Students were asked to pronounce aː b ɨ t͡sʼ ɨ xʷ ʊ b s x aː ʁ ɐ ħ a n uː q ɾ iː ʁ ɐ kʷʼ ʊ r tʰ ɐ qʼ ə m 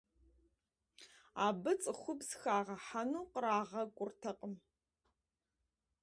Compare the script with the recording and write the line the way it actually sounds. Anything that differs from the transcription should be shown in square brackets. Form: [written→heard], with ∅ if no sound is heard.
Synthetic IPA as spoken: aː b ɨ t͡sʼ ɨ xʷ ʊ b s x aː ʁ ɐ ħ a n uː q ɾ [iː→aː] ʁ ɐ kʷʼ ʊ r tʰ ɐ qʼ ə m